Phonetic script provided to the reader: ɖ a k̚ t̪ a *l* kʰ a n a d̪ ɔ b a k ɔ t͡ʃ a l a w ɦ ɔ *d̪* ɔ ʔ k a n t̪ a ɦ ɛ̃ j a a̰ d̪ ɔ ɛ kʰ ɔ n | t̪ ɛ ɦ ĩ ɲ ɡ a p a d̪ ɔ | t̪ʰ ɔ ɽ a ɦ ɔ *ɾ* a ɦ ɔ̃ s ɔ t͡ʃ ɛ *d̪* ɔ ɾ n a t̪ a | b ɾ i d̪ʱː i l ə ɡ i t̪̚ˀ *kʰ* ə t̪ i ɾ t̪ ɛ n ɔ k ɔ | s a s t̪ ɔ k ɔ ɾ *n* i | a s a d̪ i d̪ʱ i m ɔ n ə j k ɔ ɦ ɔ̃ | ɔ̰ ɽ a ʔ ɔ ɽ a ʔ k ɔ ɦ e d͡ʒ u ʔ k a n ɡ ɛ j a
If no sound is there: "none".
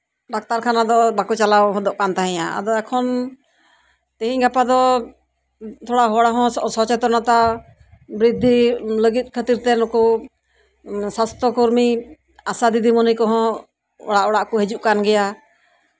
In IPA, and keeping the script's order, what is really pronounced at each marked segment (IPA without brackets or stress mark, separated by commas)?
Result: ɾ, d̪, ɽ, t̪, kʰ, m